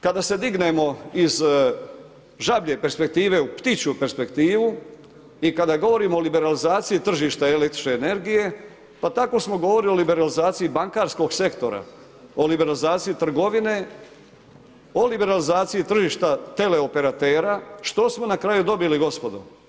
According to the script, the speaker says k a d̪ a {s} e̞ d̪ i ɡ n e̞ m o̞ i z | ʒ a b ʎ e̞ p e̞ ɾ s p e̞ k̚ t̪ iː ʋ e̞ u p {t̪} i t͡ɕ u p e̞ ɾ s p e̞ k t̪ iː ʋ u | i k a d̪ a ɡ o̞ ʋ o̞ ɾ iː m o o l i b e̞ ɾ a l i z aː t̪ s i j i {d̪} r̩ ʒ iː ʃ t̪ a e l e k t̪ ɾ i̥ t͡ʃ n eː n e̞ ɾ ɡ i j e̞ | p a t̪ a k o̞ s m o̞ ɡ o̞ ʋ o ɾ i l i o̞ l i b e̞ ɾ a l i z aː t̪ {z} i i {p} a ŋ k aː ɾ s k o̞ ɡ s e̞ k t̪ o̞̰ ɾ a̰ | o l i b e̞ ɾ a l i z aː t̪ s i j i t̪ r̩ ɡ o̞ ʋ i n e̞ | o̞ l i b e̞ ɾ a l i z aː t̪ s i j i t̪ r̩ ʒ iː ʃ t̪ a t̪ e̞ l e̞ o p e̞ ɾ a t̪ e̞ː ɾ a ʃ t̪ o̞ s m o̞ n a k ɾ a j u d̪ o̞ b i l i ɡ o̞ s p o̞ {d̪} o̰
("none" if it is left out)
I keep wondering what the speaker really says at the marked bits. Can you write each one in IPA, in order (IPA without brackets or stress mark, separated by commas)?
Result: s, t̪, t̪, s, b, d̪